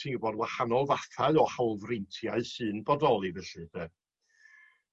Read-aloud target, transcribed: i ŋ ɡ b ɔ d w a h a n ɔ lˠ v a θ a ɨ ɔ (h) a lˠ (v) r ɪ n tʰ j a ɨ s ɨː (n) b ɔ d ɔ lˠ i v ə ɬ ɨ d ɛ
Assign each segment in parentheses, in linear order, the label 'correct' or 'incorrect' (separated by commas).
correct, correct, correct